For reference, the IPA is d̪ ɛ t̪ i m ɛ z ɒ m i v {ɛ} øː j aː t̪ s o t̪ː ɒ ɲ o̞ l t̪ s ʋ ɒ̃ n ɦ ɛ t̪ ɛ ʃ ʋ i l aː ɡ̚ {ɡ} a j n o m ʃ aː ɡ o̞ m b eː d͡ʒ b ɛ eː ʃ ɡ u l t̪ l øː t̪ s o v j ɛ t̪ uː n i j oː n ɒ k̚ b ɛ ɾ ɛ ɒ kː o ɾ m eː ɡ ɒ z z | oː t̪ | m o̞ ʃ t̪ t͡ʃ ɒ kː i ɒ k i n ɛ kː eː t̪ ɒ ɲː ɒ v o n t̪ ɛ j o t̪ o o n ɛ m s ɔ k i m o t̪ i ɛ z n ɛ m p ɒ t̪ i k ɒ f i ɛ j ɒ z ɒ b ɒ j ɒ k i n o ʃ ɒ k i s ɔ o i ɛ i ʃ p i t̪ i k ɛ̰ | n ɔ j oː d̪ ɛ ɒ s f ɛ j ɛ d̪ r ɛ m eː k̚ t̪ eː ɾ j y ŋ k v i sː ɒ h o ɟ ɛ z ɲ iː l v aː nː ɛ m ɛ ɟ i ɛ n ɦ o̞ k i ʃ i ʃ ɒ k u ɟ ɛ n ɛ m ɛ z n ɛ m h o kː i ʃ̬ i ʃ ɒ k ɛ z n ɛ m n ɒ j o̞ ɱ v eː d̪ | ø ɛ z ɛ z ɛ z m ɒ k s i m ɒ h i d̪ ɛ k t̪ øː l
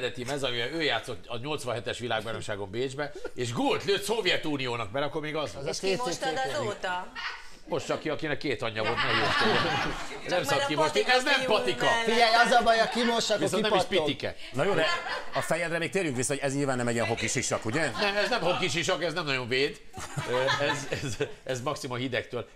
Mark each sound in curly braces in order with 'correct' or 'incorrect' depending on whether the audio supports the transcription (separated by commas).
correct, incorrect